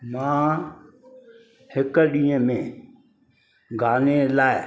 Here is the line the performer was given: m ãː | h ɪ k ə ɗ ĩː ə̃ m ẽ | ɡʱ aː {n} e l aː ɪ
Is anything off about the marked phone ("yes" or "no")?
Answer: no